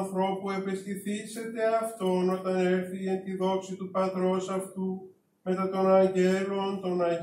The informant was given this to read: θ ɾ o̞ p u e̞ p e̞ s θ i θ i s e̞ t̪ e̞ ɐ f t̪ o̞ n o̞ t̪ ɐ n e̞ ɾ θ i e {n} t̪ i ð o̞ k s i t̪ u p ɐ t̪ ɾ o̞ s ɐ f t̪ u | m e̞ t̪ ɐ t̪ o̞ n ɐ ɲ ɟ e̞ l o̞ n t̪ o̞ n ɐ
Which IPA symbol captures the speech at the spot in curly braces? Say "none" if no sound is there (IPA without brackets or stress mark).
n